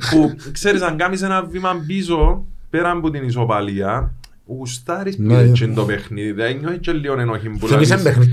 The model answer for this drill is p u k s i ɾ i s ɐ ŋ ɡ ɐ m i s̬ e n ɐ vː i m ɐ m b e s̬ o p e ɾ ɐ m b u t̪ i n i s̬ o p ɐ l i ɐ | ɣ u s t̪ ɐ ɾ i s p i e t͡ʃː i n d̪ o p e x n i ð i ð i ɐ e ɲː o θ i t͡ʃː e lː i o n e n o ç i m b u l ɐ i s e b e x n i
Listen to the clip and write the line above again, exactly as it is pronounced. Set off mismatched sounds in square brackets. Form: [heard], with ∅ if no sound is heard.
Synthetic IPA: p u k s [e] ɾ i s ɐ ŋ ɡ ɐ m i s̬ e n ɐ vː i m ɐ m b [i] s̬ o p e ɾ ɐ m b u t̪ i n i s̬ o p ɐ l i ɐ | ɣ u s t̪ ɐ ɾ i s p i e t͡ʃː i n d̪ o p e x n i ð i ð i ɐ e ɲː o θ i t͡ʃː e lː i o n e n o ç i m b u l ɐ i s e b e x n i